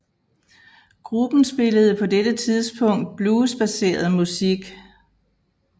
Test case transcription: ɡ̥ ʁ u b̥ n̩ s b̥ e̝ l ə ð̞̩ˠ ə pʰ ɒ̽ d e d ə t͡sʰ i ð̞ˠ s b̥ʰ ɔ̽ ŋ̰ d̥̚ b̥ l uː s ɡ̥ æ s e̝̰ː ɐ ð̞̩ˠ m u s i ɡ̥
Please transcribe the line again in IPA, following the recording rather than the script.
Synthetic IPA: ɡ̥ ʁ u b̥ n̩ s b̥ e̝ l ə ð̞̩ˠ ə pʰ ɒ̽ d e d ə t͡sʰ i ð̞ˠ s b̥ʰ ɔ̽ ŋ̰ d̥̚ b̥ l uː s b̥ æ s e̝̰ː ɐ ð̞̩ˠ m u s i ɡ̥